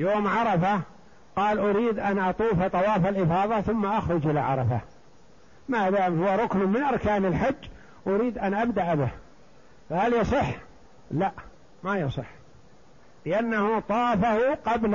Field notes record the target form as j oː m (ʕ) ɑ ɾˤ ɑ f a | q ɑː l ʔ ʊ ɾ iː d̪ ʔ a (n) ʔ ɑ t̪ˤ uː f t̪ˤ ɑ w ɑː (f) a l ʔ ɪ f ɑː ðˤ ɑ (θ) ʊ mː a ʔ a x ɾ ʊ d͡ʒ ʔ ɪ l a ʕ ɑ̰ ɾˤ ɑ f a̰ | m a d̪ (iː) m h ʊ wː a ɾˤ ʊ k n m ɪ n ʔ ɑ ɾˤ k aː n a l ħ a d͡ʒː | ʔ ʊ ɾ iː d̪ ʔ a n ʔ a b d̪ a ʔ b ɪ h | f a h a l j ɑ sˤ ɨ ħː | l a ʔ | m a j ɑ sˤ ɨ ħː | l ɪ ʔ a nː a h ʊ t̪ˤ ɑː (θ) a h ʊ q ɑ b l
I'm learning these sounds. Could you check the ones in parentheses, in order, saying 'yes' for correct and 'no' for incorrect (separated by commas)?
yes, yes, yes, yes, no, no